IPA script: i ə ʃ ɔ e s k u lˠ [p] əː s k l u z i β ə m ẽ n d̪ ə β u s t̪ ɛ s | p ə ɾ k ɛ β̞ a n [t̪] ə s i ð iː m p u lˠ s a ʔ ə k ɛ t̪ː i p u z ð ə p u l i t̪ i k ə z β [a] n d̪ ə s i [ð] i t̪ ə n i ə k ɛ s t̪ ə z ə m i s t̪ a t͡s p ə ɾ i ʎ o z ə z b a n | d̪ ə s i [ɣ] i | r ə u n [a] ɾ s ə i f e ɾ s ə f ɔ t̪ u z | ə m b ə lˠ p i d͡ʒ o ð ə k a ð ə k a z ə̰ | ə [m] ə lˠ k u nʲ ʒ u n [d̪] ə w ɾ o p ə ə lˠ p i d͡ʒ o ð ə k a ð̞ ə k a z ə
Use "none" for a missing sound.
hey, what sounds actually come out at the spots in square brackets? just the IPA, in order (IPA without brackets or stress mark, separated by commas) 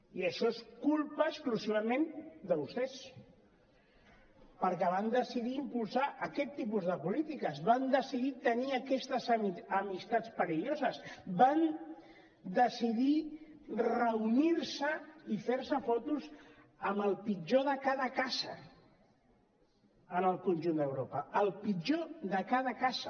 p, d̪, a, ð, ð, i, n, d̪